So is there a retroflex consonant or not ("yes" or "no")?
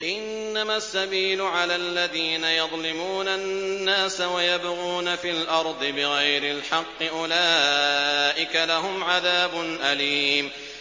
no